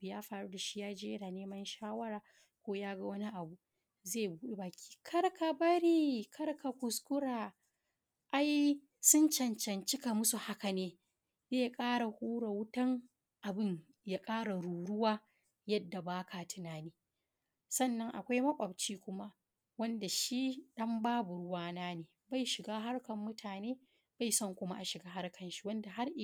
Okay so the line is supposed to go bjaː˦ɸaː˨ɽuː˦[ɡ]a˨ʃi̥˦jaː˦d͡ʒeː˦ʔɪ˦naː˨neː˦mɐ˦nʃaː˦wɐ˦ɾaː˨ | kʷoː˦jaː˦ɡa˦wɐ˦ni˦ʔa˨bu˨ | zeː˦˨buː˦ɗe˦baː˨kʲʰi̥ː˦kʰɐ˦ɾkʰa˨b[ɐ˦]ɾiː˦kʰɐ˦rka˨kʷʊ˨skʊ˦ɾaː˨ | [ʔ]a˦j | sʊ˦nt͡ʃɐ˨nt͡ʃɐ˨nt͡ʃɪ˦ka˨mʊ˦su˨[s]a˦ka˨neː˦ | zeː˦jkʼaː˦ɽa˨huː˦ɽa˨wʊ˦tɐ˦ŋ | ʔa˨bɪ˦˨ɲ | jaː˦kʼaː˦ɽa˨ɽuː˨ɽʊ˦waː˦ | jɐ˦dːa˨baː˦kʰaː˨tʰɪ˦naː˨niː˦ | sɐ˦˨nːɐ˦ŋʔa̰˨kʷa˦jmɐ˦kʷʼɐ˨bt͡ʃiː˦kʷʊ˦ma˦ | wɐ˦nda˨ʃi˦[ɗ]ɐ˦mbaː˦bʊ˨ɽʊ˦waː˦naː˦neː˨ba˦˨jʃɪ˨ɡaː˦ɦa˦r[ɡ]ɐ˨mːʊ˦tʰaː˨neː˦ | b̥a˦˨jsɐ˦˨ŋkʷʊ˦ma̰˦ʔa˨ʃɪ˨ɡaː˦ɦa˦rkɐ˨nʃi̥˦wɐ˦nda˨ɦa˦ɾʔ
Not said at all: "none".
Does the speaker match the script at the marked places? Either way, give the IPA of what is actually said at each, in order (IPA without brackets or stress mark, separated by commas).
d, ɐ˦, ʔ, h, ɗ, k